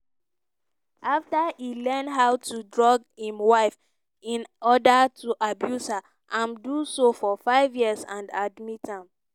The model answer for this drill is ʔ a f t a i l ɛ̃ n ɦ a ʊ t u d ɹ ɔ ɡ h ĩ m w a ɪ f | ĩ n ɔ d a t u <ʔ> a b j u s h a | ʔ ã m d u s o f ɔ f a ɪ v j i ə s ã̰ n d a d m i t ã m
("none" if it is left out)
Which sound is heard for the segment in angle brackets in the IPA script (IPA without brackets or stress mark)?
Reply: ʔ